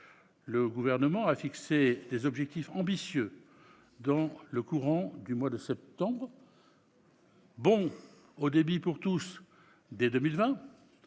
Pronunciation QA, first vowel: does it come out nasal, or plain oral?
oral